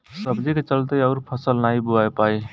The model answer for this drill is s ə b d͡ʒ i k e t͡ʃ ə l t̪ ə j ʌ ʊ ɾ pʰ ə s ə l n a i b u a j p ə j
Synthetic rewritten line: s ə b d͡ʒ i k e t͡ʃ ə l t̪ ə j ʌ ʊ ɾ pʰ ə s ə l n a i b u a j p a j